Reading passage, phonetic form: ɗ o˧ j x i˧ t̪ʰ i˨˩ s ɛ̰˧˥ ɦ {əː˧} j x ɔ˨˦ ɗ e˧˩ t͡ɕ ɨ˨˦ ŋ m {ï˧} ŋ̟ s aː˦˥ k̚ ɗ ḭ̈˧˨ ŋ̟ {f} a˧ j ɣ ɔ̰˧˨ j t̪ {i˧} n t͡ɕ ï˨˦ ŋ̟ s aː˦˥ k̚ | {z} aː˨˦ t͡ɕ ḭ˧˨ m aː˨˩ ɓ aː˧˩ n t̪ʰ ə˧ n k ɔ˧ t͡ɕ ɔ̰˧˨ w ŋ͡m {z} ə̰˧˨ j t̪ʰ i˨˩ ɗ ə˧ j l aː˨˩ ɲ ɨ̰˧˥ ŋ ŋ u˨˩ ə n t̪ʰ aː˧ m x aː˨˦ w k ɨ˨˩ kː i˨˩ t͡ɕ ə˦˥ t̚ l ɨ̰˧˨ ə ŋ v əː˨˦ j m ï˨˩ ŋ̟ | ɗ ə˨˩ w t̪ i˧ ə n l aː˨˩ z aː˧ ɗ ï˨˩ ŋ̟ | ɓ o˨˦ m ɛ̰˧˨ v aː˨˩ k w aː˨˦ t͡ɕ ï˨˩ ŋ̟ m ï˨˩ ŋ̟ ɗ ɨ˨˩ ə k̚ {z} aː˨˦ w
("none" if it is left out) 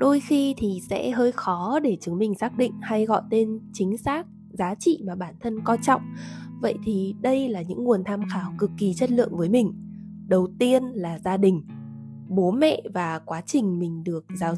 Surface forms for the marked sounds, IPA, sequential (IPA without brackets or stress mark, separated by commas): əː˧, ï˨˩, h, e˧, z, v, z